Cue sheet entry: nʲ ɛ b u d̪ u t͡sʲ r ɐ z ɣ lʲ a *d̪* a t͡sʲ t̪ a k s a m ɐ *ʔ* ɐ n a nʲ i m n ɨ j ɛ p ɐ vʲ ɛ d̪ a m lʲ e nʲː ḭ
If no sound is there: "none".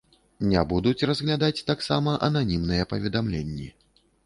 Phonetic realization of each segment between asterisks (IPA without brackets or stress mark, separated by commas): d̪, ʔ